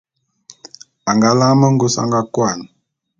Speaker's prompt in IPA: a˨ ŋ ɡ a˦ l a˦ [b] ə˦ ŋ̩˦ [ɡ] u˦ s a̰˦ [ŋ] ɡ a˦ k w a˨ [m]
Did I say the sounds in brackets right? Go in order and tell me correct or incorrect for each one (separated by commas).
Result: incorrect, correct, correct, incorrect